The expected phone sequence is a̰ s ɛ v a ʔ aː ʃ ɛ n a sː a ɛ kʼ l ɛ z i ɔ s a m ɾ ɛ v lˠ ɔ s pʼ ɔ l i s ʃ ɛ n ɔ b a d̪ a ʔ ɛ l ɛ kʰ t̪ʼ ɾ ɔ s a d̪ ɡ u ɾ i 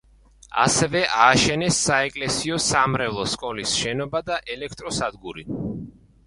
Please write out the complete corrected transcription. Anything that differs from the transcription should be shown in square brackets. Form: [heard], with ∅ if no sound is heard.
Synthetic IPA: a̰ s ɛ v [ɛ] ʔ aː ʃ ɛ n [ɛ] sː a ɛ kʼ l ɛ [s] i ɔ s a m ɾ ɛ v lˠ ɔ s [kʼ] ɔ l i s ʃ ɛ n ɔ b a d̪ a ʔ ɛ l ɛ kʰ t̪ʼ ɾ ɔ s a d̪ ɡ u ɾ i